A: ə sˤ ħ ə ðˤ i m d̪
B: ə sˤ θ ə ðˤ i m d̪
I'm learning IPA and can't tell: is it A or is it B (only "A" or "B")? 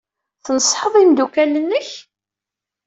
A